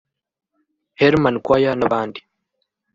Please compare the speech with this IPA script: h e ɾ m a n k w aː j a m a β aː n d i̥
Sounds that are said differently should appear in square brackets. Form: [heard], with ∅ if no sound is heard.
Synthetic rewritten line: h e ɾ m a n k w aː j a [n] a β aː n d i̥